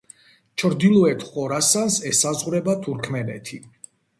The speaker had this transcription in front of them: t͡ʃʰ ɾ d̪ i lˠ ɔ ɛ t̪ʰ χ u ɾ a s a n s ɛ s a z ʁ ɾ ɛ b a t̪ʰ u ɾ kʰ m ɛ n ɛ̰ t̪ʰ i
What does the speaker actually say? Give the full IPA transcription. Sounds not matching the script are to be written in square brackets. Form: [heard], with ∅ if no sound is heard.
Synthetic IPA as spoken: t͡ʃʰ ɾ d̪ i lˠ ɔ ɛ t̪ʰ χ [ɔ] ɾ a s a n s ɛ s a z ʁ ɾ ɛ b a t̪ʰ u ɾ kʰ m ɛ n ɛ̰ t̪ʰ i